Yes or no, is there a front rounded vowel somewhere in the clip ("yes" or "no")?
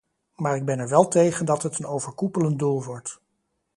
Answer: no